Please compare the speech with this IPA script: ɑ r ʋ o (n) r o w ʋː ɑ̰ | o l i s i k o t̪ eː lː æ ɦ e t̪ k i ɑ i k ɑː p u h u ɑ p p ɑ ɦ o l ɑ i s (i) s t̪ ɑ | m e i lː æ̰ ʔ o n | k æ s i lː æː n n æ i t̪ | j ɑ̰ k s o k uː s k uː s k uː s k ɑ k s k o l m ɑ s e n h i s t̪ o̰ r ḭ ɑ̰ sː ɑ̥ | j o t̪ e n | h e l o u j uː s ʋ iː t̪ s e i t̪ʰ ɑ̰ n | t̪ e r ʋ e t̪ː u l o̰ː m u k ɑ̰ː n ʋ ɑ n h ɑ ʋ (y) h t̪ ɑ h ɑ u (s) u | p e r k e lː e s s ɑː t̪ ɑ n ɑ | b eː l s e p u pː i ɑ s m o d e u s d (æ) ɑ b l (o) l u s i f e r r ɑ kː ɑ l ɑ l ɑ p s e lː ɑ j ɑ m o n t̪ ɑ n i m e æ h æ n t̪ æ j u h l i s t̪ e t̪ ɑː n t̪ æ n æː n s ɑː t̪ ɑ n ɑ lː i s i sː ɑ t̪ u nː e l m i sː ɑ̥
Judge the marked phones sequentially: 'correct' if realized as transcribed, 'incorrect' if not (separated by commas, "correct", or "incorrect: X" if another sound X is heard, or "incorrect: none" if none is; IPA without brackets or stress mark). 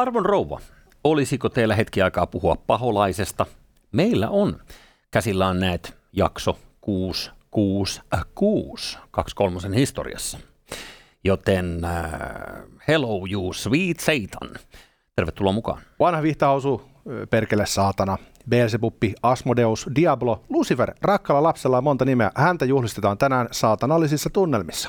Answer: correct, incorrect: e, incorrect: i, correct, incorrect: i, correct